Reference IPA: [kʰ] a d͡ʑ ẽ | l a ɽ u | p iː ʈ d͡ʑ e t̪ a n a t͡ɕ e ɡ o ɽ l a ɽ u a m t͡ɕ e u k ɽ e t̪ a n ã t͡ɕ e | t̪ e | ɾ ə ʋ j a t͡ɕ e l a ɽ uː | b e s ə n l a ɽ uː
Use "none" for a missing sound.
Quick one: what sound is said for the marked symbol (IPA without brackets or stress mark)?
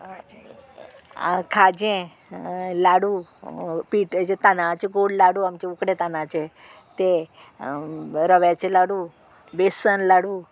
kʰ